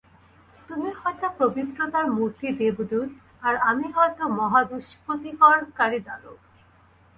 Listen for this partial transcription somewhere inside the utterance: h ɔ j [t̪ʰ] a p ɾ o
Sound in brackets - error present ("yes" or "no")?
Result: yes